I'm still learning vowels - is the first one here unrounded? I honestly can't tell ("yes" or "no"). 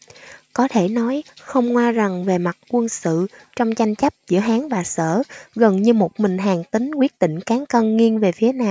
no